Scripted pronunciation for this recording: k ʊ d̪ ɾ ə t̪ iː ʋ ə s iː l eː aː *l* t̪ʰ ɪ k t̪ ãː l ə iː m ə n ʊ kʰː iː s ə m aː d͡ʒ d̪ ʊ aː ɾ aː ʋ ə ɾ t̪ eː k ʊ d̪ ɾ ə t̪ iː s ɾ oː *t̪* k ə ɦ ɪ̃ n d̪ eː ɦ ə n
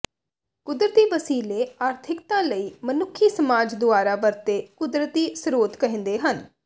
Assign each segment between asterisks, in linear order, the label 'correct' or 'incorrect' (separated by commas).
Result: incorrect, correct